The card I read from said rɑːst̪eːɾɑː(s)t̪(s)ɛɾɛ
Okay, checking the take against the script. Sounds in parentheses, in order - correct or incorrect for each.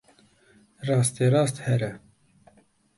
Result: correct, incorrect: h

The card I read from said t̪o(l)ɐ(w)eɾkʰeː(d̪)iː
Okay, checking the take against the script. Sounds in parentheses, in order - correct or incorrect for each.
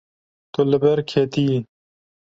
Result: correct, incorrect: b, incorrect: t̪

